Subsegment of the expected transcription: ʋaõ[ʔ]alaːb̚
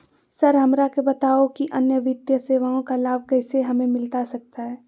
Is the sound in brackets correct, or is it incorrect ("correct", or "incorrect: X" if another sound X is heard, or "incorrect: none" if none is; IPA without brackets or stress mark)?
incorrect: k